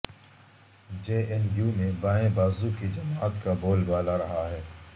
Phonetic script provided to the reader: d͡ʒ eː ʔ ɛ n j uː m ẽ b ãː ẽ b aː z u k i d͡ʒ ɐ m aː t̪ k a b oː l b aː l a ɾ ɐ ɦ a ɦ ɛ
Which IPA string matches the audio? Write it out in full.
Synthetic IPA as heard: d͡ʒ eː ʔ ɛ n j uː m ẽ b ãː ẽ b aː z u k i d͡ʒ ɐ m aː t̪ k a b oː l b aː l a ɾ ɐ ɦ a ɦ ɛː

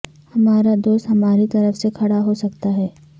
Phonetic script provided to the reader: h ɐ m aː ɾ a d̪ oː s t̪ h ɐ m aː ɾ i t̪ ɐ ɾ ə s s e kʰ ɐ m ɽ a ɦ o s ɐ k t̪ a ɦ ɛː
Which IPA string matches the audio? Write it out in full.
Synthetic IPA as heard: h ɐ m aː ɾ a d̪ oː s t̪ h ɐ m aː ɾ i t̪ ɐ ɾ ə f s e kʰ ɐ ɽ a ɦ o s ɐ k t̪ a ɦ ɛː

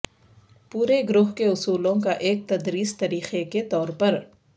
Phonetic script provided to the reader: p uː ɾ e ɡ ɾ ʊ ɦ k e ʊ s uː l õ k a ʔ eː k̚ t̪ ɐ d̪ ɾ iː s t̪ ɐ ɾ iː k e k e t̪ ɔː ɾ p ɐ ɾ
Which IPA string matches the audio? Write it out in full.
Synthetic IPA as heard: p uː ɾ e ɡ ɾ ʊ ɦ k e ʊ s uː l õ k a ʔ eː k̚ t̪ ɐ d̪ ɾ iː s t̪ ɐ ɾ iː x e k e t̪ ɔː ɾ p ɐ ɾ

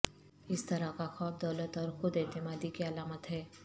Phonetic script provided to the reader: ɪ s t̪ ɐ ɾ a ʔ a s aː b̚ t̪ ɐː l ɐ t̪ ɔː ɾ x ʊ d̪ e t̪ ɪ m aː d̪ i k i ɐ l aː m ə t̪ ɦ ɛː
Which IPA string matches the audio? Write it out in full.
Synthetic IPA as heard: ɪ s t̪ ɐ ɾ a k a x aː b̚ d̪ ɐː l ə t̪ ɔː ɾ x ʊ d̪ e t̪ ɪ m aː d̪ i k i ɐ l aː m ə t̪ ɦ ɛː

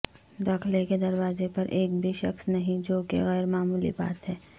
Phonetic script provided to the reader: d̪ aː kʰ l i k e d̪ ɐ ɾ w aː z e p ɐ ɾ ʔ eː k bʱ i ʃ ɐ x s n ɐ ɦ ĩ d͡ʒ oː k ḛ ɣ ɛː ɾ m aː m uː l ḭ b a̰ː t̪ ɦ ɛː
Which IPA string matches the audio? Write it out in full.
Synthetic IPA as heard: d̪ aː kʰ l e k e d̪ ɐ ɾ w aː z e p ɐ ɾ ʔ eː k bʱ i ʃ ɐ x s n ɐ ɦ ĩ d͡ʒ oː k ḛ ɣ ɛː ɾ m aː m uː l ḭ b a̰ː t̪ ɦ ɛː

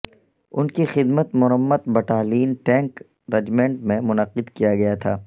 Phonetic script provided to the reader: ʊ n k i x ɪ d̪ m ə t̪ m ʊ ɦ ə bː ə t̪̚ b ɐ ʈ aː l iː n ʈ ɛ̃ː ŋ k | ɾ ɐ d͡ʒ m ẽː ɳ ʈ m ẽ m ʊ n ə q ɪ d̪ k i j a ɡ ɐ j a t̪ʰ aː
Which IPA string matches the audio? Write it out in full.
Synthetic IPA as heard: ʊ n k i x ɪ d̪ m ə t̪ m ʊ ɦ ə mː ə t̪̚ b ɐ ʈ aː l iː n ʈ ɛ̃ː ŋ k | ɾ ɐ d͡ʒ m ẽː ɳ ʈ m ẽ m ʊ n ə q ɪ d̪ k i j a ɡ ɐ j a t̪ʰ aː

